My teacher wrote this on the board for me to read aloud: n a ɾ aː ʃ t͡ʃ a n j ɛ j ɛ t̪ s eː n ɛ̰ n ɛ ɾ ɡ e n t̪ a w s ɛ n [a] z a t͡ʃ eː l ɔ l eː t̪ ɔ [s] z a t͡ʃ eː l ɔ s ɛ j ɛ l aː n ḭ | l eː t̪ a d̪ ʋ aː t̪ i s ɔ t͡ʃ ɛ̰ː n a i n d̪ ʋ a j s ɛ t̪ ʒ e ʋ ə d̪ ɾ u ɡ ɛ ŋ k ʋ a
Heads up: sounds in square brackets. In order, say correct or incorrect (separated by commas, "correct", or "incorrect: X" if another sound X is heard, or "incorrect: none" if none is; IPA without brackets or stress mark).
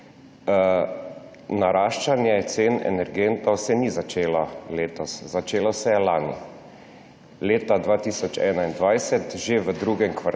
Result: incorrect: i, correct